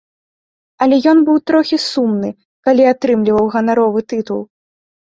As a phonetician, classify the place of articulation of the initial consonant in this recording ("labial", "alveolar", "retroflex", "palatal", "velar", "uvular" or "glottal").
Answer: alveolar